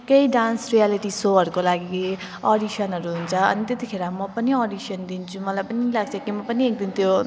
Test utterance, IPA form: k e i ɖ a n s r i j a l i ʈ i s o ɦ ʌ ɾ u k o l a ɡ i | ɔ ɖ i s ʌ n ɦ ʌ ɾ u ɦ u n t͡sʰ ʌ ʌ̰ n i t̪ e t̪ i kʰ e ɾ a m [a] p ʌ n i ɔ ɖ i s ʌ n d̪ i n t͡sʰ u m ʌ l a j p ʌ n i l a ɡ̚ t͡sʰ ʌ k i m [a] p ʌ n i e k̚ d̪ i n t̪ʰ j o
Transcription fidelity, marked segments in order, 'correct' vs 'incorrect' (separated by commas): incorrect, incorrect